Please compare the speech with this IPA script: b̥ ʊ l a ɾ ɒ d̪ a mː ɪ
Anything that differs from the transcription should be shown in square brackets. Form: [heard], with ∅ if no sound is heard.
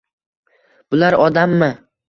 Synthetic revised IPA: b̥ ʊ l a ɾ ɒ d̪ a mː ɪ